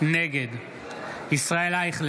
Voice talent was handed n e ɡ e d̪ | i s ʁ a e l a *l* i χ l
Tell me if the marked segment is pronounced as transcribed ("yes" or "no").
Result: no